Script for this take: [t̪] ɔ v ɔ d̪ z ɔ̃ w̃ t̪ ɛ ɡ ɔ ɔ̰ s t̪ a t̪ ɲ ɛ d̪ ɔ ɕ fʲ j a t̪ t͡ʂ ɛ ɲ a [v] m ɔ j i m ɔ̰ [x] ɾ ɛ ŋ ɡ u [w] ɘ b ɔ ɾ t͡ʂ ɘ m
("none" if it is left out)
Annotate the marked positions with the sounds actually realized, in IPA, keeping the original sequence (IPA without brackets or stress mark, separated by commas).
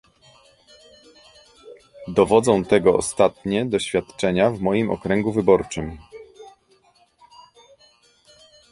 d̪, v, k, v